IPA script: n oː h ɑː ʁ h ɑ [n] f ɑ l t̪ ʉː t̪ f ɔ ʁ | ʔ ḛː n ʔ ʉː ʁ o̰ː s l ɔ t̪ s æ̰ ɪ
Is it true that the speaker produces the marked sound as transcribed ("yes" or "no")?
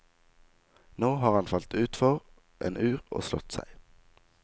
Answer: yes